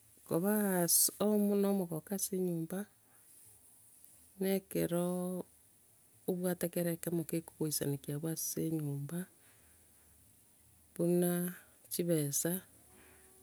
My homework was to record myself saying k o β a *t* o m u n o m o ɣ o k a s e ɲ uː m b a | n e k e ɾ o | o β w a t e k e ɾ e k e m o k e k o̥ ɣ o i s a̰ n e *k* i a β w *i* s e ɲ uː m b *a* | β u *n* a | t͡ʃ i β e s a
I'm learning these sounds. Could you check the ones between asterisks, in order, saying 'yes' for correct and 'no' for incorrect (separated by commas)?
no, yes, no, yes, yes